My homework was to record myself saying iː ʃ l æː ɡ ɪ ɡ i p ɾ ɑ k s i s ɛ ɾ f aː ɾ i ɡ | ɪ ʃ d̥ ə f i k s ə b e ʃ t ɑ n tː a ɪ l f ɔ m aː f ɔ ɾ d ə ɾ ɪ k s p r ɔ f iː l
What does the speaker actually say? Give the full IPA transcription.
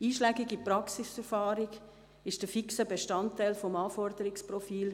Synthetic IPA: iː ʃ l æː ɡ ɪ ɡ i p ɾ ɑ k s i s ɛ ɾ f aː ɾ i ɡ | ɪ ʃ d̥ ə f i k s ə b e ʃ t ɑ n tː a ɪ l f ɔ m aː f ɔ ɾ d ə ɾ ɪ k s p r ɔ f iː l

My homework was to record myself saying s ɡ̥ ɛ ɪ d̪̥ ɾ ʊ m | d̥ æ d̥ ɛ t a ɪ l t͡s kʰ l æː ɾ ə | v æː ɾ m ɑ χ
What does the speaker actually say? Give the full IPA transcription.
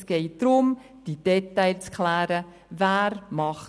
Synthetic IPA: s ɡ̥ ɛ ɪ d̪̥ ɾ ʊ m | d̥ i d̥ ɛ t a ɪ l t͡s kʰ l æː ɾ ə | v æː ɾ m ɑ χ

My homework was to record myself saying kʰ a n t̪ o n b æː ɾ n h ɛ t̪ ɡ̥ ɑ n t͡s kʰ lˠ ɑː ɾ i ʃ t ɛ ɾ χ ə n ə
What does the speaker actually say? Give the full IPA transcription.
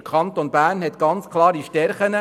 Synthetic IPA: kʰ ɑ n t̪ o n b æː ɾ n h ɛ t̪ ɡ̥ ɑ n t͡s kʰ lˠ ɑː ɾ i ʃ t ɛ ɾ χ ə n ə

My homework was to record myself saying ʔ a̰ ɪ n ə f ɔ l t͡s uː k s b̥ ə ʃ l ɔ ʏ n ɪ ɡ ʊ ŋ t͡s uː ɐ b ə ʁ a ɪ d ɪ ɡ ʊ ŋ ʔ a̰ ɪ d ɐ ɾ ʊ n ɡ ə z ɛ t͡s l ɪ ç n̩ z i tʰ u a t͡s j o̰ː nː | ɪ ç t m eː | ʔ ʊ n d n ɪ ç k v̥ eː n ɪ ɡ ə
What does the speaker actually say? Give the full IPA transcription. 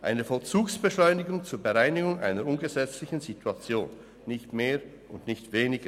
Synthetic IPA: ʔ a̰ ɪ n ə f ɔ l t͡s uː k s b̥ ə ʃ l ɔ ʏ n ɪ ɡ ʊ ŋ t͡s uː ɐ b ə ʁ a ɪ n ɪ ɡ ʊ ŋ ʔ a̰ ɪ n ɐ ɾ ʊ n ɡ ə z ɛ t͡s l ɪ ç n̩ z i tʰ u a t͡s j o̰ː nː | ɪ ç t m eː | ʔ ʊ n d n ɪ ç t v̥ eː n ɪ ɡ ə

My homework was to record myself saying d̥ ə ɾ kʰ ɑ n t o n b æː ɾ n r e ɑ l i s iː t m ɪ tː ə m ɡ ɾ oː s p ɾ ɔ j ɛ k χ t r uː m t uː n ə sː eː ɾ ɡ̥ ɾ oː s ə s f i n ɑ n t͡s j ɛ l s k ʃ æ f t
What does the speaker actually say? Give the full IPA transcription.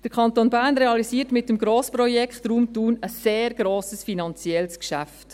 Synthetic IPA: d̥ ə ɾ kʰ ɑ n t o n b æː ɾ n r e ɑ l i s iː t m ɪ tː ə m ɡ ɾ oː s p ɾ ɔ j ɛ k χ t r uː m t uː n ə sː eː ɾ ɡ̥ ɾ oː s ə s f i n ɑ n t͡s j ɛ l s k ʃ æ f t

